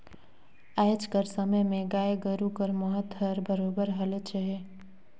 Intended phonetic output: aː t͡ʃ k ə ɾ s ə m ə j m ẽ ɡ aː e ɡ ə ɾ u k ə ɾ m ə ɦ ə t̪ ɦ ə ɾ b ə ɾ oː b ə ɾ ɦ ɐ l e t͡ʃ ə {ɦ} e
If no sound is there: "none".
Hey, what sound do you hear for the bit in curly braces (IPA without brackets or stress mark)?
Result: ɦ